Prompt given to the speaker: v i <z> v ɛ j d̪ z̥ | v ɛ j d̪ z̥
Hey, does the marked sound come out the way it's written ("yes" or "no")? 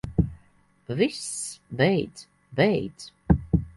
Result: no